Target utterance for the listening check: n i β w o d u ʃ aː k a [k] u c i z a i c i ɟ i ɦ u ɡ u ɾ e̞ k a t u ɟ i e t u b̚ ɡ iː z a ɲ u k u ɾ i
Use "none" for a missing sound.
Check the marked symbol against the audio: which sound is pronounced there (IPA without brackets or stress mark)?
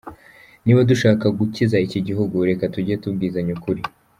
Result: ɡ